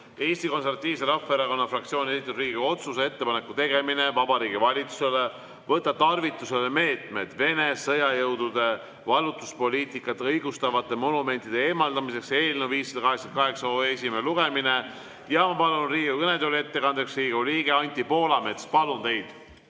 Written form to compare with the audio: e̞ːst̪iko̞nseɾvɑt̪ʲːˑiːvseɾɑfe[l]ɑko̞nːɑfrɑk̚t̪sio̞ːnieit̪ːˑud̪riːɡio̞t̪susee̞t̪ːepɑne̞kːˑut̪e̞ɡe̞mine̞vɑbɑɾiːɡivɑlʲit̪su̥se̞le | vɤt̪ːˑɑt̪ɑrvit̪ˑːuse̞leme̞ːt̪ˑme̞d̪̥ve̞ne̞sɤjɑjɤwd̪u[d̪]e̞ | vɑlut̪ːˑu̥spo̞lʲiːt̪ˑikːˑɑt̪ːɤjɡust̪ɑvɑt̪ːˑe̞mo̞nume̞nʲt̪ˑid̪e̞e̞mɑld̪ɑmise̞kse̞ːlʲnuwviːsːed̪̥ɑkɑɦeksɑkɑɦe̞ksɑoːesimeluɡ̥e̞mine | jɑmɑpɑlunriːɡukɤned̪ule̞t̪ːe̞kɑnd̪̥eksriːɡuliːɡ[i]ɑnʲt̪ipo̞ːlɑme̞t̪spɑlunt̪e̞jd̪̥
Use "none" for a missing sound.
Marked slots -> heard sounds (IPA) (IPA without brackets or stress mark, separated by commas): ɾ, d̪, e